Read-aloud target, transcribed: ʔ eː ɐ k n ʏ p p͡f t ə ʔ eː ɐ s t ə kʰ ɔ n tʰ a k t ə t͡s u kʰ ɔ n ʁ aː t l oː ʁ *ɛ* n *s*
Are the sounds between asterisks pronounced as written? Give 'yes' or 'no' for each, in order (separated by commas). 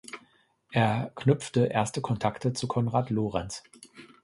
yes, yes